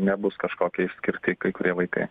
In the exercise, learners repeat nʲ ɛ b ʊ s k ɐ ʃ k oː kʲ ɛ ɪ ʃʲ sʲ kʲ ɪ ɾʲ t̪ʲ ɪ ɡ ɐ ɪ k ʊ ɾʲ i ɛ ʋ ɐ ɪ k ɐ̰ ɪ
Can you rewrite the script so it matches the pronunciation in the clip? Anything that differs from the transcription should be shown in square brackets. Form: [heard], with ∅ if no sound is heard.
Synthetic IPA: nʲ ɛ b ʊ s k ɐ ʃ k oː kʲ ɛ ɪ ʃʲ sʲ kʲ ɪ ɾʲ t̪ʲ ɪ [k] ɐ ɪ k ʊ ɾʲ i ɛ ʋ ɐ ɪ k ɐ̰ ɪ

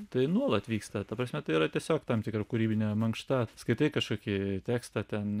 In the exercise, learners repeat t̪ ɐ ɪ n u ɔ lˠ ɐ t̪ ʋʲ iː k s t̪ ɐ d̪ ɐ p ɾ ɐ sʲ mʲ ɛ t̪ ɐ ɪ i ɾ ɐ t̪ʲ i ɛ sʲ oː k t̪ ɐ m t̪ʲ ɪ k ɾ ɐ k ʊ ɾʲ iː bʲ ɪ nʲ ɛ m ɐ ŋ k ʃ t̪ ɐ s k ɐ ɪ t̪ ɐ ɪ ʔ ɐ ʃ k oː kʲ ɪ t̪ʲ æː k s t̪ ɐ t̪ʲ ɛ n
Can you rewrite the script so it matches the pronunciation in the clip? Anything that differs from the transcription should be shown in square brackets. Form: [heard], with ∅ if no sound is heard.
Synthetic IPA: t̪ ɐ ɪ n u ɔ lˠ ɐ t̪ ʋʲ iː k s t̪ ɐ [t̪] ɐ p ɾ ɐ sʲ mʲ ɛ t̪ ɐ ɪ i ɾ ɐ t̪ʲ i ɛ sʲ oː k t̪ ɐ m t̪ʲ ɪ k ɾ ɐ k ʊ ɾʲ iː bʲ ɪ nʲ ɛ m ɐ ŋ k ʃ t̪ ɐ s k ɐ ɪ t̪ ɐ ɪ [k] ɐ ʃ k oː kʲ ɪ t̪ʲ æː k s t̪ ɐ t̪ʲ ɛ n

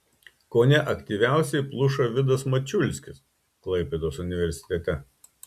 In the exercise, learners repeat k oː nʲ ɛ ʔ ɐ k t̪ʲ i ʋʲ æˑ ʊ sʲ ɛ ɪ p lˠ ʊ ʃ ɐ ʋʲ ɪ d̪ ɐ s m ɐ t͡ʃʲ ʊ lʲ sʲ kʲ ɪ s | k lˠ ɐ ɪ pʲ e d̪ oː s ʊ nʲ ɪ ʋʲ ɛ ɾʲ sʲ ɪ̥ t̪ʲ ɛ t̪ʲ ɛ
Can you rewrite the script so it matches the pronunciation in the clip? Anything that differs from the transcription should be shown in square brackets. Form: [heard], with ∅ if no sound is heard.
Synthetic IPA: k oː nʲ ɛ ʔ ɐ k t̪ʲ i ʋʲ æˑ ʊ sʲ ɛ ɪ p lˠ ʊ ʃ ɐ ʋʲ ɪ d̪ ɐ s m ɐ t͡ʃʲ ʊ lʲ sʲ kʲ ɪ s | k lˠ ɐ ɪ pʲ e d̪ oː s ʊ nʲ ɪ ʋʲ ɛ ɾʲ sʲ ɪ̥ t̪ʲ ɛ t̪ʲ ɛ

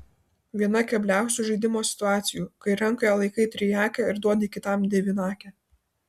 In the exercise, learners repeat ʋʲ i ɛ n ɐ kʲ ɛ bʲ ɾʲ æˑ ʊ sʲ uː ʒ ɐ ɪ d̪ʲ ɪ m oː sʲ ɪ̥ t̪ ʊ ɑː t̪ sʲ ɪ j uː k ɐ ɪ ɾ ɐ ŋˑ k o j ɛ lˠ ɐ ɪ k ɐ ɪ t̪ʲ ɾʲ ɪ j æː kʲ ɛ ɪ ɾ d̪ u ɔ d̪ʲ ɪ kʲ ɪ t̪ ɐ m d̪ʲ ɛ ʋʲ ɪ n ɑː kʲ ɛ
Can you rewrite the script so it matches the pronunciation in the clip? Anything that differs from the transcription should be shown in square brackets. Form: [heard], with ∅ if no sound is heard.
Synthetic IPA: ʋʲ i ɛ n ɐ kʲ ɛ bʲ [lʲ] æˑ ʊ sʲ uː ʒ ɐ ɪ d̪ʲ ɪ m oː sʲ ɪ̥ t̪ ʊ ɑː t̪ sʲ ɪ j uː k ɐ ɪ ɾ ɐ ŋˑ k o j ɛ lˠ ɐ ɪ k ɐ ɪ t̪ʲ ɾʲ ɪ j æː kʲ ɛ ɪ ɾ d̪ u ɔ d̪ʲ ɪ kʲ ɪ t̪ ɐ m d̪ʲ ɛ ʋʲ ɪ n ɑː kʲ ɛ

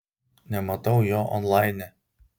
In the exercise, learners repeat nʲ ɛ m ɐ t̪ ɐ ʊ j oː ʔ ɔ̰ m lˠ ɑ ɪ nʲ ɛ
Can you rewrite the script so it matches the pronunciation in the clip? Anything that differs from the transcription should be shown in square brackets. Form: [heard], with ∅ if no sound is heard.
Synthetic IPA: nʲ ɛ m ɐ t̪ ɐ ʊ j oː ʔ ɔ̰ [n] lˠ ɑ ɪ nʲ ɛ

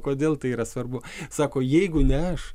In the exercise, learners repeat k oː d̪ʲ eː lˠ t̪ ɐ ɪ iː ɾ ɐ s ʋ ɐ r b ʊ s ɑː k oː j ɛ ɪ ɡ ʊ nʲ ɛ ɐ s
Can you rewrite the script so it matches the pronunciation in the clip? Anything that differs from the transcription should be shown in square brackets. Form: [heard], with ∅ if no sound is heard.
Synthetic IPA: k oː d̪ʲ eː lˠ t̪ ɐ ɪ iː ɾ ɐ s ʋ ɐ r b ʊ s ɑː k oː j ɛ ɪ ɡ ʊ nʲ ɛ ɐ [ʃ]

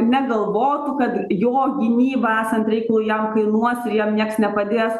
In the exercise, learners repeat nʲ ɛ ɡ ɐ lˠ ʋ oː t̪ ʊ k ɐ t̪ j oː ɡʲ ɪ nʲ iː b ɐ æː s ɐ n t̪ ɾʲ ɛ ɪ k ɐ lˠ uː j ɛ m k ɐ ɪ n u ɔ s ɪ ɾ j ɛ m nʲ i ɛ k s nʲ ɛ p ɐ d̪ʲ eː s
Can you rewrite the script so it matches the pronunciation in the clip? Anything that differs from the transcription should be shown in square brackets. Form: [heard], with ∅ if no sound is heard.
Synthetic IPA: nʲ ɛ ɡ ɐ lˠ ʋ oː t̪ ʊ k ɐ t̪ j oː ɡʲ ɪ nʲ iː b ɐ æː s ɐ n t̪ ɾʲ ɛ ɪ k ɐ lˠ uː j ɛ m k ɐ ɪ n u ɔ s ɪ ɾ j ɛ m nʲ i ɛ k s nʲ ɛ p ɐ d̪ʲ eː s

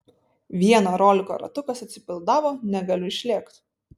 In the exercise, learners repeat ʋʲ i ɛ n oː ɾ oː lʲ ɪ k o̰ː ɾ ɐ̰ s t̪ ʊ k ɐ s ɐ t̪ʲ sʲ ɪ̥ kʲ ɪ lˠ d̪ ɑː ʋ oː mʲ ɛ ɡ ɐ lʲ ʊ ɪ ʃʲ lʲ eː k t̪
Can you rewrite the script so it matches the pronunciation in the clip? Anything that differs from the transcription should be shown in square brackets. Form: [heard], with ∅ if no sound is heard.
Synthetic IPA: ʋʲ i ɛ n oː ɾ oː lʲ ɪ k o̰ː ɾ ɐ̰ [∅] t̪ ʊ k ɐ s ɐ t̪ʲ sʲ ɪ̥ [pʲ] ɪ lˠ d̪ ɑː ʋ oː [nʲ] ɛ ɡ ɐ lʲ ʊ ɪ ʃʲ lʲ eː k t̪

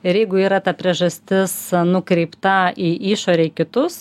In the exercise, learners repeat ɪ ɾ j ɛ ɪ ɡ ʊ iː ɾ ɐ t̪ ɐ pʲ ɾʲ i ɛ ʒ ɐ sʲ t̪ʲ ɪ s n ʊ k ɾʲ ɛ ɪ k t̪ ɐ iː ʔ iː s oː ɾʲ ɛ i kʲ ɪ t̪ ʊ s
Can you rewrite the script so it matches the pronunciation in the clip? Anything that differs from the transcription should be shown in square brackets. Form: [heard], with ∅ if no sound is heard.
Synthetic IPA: ɪ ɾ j ɛ ɪ ɡ ʊ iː ɾ ɐ t̪ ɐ pʲ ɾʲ i ɛ ʒ ɐ sʲ t̪ʲ ɪ s n ʊ k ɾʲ ɛ ɪ [p] t̪ ɐ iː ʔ iː [ʃ] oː ɾʲ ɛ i kʲ ɪ t̪ ʊ s

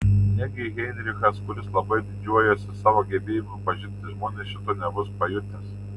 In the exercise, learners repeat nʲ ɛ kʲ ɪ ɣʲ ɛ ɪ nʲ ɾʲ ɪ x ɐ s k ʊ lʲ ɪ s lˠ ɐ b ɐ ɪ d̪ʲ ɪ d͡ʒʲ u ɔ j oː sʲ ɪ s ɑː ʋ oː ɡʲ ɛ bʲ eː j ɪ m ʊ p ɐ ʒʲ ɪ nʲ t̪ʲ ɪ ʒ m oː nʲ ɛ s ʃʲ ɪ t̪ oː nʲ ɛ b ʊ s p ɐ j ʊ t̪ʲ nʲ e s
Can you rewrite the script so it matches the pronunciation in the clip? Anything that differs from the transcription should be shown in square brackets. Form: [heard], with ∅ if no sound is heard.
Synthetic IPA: nʲ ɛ [ɡʲ] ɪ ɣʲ ɛ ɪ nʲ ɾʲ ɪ x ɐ s k ʊ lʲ ɪ s lˠ ɐ b ɐ ɪ d̪ʲ ɪ d͡ʒʲ u ɔ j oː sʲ ɪ s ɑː ʋ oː ɡʲ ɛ bʲ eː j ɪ m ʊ p ɐ ʒʲ ɪ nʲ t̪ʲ ɪ ʒ m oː nʲ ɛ s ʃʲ ɪ t̪ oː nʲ ɛ b ʊ s p ɐ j ʊ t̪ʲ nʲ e s

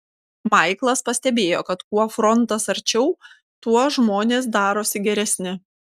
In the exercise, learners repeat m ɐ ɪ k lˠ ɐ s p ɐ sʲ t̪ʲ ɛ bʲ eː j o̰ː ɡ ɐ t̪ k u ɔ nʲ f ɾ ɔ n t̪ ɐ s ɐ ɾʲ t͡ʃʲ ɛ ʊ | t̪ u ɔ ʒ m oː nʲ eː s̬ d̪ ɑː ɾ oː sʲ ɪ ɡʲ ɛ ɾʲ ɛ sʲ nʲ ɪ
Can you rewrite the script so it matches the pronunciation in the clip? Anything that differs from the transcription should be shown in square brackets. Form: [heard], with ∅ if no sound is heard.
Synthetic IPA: m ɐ ɪ k lˠ ɐ s p ɐ sʲ t̪ʲ ɛ bʲ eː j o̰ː [k] ɐ t̪ k u ɔ [∅] f ɾ ɔ n t̪ ɐ s ɐ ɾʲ t͡ʃʲ ɛ ʊ | t̪ u ɔ ʒ m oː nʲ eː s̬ d̪ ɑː ɾ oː sʲ ɪ ɡʲ ɛ ɾʲ ɛ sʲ nʲ ɪ

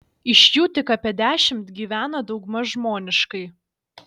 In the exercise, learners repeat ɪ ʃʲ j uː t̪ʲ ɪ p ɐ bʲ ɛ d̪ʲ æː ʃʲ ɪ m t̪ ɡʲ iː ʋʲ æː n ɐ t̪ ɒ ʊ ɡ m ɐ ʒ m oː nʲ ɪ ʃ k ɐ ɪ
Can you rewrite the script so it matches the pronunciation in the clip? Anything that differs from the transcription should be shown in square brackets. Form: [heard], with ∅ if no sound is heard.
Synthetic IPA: ɪ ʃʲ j uː t̪ʲ ɪ [k] ɐ [pʲ] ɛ d̪ʲ æː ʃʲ ɪ m t̪ ɡʲ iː ʋʲ æː n ɐ [d̪] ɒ ʊ ɡ m ɐ ʒ m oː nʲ ɪ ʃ k ɐ ɪ

